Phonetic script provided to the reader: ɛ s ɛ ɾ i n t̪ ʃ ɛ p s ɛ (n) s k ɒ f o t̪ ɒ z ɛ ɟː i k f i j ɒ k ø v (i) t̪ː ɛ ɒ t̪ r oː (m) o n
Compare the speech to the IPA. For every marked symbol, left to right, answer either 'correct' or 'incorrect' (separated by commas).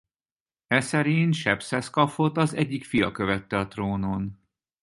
incorrect, incorrect, incorrect